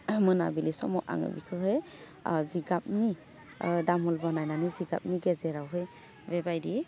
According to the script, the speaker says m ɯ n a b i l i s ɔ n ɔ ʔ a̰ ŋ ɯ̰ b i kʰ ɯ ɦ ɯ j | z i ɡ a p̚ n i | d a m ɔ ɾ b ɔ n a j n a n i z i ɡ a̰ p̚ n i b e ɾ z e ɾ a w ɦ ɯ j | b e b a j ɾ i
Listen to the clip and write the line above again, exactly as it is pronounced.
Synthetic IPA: m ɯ n a b i l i s ɔ m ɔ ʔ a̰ ŋ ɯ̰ b i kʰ ɯ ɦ ɯ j | z i ɡ a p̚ n i | d a m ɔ l b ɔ n a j n a n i z i ɡ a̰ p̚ n i ɡ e z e ɾ a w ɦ ɯ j | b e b a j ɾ i